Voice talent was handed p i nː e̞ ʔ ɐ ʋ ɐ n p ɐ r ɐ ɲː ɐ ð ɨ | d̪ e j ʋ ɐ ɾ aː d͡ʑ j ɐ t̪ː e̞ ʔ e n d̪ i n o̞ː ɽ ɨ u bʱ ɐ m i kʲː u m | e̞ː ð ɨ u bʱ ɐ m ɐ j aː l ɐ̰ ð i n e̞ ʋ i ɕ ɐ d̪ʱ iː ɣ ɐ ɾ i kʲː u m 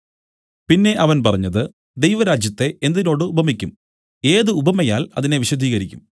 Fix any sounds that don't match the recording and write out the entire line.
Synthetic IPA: p i nː e̞ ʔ ɐ ʋ ɐ n p ɐ r ɐ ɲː ɐ ð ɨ | d̪ e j ʋ ɐ ɾ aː d͡ʑ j ɐ t̪ː e̞ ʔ e n d̪ i n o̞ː ɽ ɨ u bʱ ɐ m i kʲː u m | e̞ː ð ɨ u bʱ ɐ m ɐ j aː l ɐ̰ ð i n e̞ ʋ i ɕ ɐ d̪ʱ iː ɣ ɐ ɾ i kʲː u m

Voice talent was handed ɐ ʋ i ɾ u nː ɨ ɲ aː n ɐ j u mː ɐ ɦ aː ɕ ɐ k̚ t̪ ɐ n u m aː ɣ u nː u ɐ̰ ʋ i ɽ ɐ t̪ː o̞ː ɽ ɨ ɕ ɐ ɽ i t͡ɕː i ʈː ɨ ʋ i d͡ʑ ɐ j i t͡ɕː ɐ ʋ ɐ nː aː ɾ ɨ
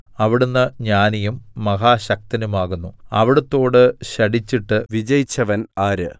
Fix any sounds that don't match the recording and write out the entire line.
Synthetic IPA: ɐ ʋ i ɽ u nː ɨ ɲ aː n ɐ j u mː ɐ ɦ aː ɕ ɐ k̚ t̪ ɐ n u m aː ɣ u nː u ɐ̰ ʋ i ɽ ɐ t̪ː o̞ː ɽ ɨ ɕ ɐ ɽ i t͡ɕː i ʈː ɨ ʋ i d͡ʑ ɐ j i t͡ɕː ɐ ʋ ɐ n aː ɾ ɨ

